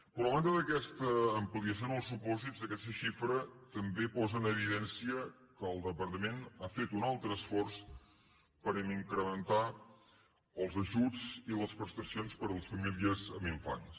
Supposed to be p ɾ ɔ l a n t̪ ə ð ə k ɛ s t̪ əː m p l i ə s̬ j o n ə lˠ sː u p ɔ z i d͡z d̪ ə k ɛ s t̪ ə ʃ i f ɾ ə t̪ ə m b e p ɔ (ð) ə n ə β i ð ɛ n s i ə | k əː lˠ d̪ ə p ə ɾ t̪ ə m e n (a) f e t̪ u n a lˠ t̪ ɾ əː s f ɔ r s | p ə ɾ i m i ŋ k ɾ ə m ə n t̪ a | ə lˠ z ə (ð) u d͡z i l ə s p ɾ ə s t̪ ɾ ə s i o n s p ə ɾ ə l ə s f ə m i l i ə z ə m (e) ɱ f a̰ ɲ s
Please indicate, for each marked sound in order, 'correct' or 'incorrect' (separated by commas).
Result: incorrect, correct, incorrect, incorrect